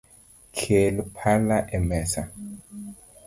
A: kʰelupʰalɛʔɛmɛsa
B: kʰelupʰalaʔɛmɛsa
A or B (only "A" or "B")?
B